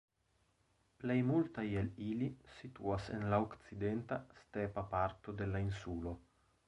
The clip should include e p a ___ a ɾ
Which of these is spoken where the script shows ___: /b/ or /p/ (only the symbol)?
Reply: p